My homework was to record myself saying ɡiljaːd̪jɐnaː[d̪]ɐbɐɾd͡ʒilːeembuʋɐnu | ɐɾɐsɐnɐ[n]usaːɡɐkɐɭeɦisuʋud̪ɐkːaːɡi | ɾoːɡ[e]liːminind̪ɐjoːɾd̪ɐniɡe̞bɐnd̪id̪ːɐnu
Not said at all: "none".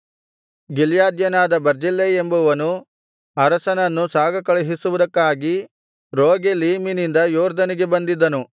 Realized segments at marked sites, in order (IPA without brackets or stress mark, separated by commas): d̪, nː, e